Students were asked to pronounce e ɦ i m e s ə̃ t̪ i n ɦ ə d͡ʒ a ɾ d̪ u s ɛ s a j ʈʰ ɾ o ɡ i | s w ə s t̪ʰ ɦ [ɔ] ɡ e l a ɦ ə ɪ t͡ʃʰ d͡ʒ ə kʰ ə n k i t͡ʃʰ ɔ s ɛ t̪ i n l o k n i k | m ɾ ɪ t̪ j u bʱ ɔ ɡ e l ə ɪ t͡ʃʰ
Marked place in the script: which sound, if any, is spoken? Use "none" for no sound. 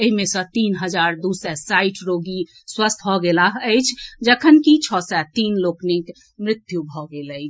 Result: ɔ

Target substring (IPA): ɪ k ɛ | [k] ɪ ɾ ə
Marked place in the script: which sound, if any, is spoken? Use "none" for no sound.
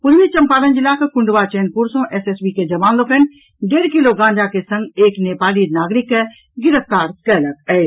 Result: ɡ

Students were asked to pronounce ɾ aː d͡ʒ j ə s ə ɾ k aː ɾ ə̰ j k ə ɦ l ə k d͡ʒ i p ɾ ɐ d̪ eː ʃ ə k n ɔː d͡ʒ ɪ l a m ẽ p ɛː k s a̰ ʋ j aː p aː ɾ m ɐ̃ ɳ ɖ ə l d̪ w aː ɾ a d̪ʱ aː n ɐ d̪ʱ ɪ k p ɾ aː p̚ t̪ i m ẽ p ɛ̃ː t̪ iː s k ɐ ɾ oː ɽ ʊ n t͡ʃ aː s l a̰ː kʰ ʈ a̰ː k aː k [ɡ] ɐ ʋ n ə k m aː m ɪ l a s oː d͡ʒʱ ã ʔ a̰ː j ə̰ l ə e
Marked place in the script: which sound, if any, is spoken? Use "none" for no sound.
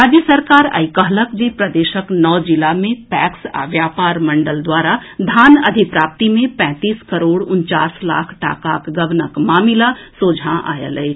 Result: ɡ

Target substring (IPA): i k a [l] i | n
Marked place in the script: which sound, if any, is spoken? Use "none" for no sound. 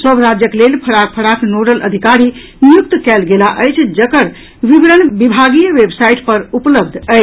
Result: ɾ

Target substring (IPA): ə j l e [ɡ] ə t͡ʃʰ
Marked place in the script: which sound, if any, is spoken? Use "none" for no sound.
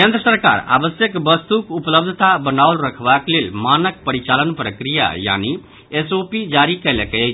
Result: k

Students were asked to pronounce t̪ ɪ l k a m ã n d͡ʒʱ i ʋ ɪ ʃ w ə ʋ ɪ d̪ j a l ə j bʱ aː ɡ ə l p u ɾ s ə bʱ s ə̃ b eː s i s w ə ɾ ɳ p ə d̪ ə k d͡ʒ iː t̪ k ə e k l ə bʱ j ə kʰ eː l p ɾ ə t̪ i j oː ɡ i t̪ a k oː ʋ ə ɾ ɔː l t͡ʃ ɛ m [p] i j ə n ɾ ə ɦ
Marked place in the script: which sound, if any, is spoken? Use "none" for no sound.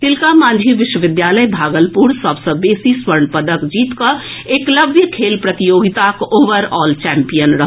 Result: p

